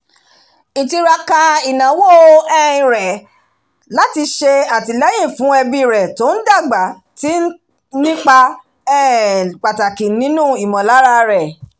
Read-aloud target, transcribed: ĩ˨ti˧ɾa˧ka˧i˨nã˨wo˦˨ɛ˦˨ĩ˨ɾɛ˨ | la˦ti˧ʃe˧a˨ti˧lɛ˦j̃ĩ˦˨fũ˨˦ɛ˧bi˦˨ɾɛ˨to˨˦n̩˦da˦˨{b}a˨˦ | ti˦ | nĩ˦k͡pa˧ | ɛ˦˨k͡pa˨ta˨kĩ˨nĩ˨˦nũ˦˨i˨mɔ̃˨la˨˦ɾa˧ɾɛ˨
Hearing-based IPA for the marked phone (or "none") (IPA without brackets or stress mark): ɡ͡b